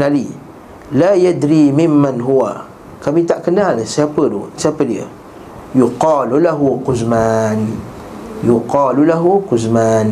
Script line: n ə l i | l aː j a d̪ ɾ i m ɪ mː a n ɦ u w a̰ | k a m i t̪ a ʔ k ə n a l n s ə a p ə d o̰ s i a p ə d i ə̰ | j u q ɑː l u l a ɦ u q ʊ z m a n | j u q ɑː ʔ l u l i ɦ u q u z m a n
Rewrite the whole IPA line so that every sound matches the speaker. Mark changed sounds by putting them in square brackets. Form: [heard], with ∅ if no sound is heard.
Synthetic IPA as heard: n [a] l i | l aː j a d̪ ɾ i m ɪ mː a n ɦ u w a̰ | k a m i t̪ a ʔ k ə n a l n s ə a p ə d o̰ s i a p ə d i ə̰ | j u q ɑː l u l a ɦ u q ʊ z m a n | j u q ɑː [∅] l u l [a] ɦ u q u z m a n